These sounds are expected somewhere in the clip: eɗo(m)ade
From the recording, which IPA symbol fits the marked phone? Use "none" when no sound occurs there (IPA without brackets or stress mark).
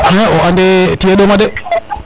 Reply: m